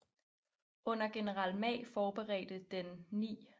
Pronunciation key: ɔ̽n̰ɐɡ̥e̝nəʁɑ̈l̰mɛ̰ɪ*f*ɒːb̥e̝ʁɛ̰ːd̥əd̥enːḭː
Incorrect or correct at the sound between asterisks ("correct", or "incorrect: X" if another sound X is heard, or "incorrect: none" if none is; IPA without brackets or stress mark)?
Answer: correct